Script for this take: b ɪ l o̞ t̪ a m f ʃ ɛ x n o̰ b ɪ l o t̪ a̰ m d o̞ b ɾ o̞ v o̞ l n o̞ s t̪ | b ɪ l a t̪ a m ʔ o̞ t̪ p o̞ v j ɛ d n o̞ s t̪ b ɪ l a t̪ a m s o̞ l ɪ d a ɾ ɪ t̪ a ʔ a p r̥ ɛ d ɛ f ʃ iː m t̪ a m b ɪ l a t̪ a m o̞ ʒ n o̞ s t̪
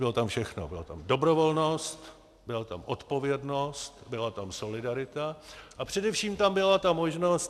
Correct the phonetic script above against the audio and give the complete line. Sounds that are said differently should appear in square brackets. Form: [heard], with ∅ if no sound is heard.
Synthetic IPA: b ɪ l o̞ t̪ a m f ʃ ɛ x n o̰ b ɪ l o t̪ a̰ m d o̞ b ɾ o̞ v o̞ l n o̞ s t̪ | b ɪ l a t̪ a m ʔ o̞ t̪ p o̞ v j ɛ d n o̞ s t̪ b ɪ l a t̪ a m s o̞ l ɪ d a ɾ ɪ t̪ a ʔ a p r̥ ɛ d ɛ f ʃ iː m t̪ a m b ɪ l a t̪ a m o̞ ʒ n o̞ s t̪